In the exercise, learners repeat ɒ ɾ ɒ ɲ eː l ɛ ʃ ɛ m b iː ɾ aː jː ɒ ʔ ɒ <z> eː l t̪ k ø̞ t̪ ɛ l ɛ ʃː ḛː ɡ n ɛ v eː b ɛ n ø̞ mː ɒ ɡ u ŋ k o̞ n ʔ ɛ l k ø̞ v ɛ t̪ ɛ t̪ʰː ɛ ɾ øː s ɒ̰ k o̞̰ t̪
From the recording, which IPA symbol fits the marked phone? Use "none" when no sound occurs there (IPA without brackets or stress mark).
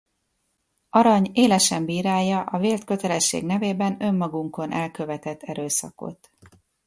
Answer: v